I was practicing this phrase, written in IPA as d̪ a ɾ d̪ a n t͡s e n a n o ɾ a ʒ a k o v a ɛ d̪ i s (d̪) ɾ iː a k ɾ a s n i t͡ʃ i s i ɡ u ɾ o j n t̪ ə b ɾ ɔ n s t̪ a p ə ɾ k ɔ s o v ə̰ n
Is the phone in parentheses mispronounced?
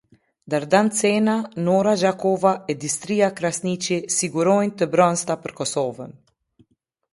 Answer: yes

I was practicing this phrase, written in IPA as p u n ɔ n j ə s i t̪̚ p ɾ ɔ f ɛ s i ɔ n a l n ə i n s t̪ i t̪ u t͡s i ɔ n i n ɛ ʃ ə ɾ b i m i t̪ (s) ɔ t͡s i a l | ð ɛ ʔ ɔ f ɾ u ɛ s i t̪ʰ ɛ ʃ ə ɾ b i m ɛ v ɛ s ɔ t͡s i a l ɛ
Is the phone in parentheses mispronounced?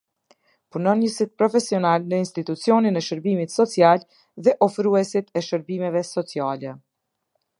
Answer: no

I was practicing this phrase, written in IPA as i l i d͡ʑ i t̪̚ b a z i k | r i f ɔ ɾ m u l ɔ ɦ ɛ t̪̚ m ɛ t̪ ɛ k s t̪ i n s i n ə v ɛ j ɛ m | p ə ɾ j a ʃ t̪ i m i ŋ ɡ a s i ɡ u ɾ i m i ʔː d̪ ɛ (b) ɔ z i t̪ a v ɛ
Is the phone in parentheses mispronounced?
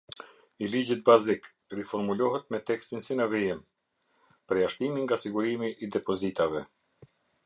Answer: yes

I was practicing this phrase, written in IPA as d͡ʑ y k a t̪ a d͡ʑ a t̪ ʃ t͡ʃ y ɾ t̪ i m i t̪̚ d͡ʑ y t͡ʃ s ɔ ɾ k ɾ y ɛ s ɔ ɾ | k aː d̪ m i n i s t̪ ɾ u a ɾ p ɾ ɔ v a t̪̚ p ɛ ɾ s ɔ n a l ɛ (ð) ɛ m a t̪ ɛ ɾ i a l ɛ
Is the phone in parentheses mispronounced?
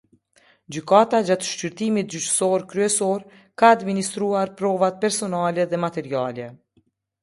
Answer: no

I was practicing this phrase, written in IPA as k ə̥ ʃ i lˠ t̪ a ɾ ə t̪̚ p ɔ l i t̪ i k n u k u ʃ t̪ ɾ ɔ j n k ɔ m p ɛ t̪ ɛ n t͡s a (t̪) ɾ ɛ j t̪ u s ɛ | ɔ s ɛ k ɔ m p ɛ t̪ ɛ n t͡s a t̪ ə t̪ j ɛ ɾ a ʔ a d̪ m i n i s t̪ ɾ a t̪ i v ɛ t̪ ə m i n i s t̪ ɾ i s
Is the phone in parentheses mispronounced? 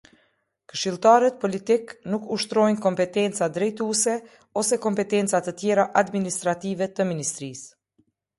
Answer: yes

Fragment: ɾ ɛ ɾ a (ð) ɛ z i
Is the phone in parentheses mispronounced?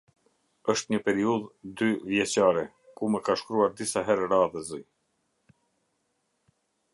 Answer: no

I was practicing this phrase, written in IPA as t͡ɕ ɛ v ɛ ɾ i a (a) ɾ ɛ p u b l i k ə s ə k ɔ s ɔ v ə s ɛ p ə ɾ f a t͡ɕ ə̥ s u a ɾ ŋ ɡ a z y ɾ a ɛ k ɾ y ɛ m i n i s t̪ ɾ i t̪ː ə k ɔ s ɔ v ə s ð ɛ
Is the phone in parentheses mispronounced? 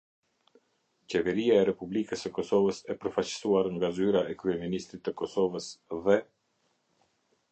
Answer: yes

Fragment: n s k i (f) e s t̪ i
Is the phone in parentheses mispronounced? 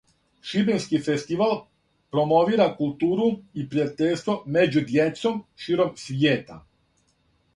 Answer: no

